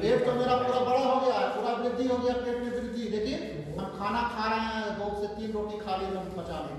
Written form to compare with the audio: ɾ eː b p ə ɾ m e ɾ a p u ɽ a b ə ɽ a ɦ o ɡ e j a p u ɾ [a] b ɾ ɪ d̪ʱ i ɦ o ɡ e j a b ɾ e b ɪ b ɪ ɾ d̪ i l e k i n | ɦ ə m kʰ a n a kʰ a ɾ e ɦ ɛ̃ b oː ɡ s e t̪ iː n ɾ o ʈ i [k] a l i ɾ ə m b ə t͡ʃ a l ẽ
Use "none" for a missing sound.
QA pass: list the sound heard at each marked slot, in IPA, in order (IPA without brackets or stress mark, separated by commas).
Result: a, kʰ